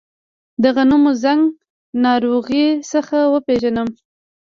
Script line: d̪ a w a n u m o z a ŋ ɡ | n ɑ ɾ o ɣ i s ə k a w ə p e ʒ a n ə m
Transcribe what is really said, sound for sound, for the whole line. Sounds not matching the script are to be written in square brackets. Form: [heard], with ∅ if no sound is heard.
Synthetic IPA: d̪ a [ɣ] a n u m o z a ŋ ɡ | n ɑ ɾ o ɣ i s ə [x] a w ə p e ʒ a n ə m